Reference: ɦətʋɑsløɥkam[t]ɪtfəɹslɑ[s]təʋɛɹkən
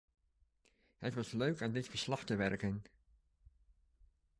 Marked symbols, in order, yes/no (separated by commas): no, no